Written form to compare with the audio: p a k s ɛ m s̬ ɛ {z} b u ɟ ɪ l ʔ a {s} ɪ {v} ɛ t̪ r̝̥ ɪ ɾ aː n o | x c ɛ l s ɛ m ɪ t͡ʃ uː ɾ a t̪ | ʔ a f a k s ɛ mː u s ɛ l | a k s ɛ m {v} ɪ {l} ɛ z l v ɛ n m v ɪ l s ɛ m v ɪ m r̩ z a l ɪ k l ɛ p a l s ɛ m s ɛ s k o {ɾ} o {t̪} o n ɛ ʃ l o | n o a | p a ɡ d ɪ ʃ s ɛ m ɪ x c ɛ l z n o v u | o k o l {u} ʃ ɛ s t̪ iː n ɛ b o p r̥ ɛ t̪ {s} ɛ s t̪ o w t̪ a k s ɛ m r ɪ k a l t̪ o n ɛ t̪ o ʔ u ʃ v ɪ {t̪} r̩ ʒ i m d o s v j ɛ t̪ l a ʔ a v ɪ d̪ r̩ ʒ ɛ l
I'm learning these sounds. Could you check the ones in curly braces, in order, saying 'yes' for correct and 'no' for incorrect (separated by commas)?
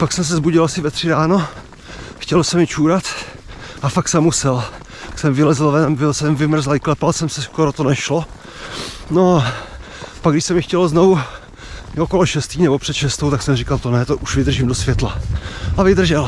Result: yes, yes, yes, yes, yes, yes, yes, no, no, no